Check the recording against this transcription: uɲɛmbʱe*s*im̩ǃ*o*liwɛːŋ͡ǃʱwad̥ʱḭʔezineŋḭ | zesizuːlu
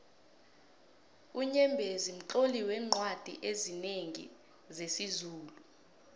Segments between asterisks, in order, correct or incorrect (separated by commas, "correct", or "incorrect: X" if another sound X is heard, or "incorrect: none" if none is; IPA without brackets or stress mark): incorrect: z, correct